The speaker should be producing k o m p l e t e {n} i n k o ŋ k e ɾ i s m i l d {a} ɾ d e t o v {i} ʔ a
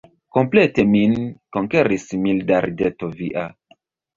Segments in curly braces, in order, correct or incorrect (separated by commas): incorrect, correct, correct